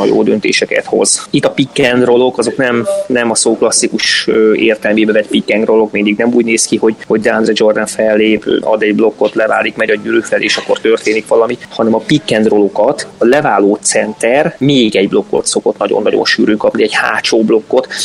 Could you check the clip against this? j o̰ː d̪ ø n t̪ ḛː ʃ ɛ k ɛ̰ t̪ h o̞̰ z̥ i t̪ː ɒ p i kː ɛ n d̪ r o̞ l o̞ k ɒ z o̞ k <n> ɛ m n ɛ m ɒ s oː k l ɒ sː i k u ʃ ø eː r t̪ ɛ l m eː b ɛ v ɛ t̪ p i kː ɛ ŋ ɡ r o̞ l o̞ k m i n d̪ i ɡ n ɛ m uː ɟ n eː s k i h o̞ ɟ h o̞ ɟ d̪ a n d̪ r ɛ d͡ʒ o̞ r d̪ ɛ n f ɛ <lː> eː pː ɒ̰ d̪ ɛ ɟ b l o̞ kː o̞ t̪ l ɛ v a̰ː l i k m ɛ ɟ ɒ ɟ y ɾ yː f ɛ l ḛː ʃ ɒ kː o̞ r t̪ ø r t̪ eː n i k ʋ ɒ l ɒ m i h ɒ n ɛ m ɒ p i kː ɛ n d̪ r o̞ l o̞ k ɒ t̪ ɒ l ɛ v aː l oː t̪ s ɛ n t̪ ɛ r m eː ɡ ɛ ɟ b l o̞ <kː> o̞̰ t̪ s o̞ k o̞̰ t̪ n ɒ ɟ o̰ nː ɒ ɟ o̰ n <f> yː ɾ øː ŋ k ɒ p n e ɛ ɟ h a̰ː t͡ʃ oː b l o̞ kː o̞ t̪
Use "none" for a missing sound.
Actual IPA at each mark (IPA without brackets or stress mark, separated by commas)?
n, lː, kː, ʃ